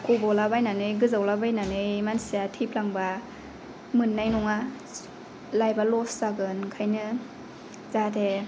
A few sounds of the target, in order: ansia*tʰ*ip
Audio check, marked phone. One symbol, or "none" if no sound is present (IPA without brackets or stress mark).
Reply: tʰ